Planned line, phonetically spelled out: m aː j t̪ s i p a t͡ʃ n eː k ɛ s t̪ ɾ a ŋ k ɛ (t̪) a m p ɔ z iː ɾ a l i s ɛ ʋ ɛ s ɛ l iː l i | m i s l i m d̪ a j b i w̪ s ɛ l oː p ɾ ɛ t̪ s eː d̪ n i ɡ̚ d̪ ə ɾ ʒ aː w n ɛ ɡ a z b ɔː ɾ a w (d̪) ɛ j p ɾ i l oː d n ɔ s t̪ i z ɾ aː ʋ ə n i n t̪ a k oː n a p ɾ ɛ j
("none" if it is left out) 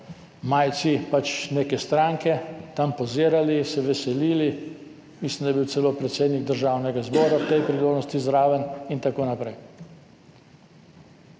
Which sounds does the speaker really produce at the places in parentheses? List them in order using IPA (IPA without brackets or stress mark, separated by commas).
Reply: t̪, t̪